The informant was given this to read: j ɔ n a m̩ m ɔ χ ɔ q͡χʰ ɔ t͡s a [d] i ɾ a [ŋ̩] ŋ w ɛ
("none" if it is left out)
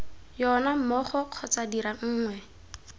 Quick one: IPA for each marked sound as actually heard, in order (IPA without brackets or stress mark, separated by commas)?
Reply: d, ŋ̩ː